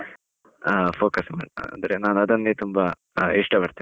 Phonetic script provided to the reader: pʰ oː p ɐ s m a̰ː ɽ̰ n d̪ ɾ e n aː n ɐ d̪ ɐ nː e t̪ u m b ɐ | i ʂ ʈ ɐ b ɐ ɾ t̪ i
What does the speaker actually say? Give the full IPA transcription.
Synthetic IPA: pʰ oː k ɐ s m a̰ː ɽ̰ n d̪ ɾ e n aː n ɐ d̪ ɐ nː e t̪ u m b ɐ | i ʂ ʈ ɐ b ɐ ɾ t̪ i